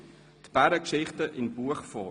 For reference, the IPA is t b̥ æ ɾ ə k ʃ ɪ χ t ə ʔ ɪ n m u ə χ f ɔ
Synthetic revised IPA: t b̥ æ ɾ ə k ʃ ɪ χ t ə ʔ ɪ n b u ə χ f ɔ